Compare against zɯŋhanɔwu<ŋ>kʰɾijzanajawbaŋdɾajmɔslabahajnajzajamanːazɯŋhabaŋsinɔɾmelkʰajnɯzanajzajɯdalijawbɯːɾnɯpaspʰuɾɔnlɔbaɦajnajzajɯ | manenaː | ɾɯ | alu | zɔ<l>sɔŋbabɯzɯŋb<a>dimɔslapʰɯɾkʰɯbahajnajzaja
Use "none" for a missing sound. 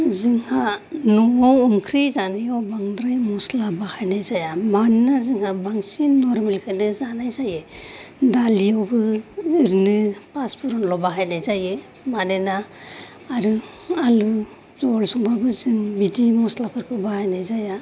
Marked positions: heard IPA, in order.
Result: m, l, i

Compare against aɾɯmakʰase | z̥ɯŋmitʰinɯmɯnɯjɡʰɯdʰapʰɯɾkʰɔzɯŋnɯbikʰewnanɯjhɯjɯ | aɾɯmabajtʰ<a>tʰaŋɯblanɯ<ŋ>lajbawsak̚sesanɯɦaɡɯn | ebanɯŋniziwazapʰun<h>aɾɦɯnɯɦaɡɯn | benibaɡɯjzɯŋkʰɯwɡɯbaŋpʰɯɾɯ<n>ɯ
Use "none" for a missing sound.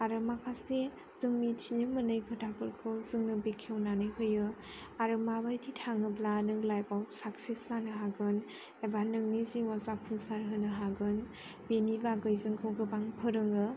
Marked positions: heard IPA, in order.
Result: i, ŋ, s, ŋ

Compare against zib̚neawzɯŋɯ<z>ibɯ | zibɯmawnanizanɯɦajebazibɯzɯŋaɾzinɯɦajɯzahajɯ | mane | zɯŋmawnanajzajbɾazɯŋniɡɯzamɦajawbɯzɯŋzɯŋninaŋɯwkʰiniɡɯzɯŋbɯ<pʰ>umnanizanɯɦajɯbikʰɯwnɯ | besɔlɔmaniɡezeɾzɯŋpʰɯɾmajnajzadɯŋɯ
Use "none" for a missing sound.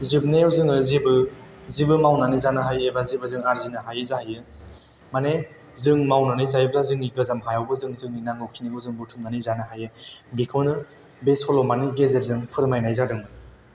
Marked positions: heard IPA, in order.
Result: z, tʰ

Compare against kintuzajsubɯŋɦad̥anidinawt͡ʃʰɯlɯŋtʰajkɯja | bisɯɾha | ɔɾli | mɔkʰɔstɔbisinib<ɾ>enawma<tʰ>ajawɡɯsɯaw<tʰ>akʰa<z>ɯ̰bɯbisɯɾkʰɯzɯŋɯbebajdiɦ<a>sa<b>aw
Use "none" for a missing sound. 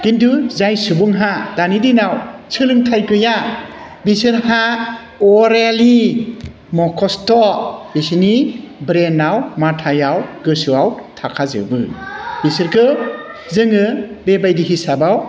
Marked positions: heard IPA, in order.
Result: ɾ, tʰ, tʰ, z, i, b

